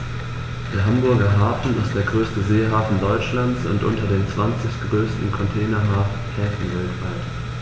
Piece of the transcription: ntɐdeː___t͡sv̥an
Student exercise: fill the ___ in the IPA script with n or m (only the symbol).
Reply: m